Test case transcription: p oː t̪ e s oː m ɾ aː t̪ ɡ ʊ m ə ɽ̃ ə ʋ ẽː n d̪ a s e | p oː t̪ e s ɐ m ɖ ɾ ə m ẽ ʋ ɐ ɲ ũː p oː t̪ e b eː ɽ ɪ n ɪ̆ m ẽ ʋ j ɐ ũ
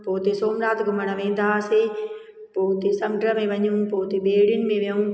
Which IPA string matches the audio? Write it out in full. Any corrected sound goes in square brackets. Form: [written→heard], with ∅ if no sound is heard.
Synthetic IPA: p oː t̪ e s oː m ɾ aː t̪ ɡ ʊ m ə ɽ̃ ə ʋ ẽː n d̪ a s e | p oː t̪ e s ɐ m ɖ ɾ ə m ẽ ʋ ɐ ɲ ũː p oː t̪ e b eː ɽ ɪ n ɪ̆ m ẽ ʋ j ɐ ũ